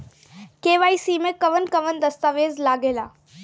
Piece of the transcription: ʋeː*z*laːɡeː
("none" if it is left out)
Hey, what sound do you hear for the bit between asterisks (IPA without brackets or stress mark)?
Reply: z